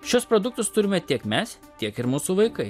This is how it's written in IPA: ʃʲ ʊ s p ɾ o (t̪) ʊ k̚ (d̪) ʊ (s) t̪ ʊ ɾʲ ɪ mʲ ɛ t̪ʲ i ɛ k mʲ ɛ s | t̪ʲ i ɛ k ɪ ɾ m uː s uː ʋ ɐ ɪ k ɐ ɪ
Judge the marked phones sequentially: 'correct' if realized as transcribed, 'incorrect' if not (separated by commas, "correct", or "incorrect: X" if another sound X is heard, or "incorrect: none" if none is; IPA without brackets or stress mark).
incorrect: d̪, incorrect: t̪, correct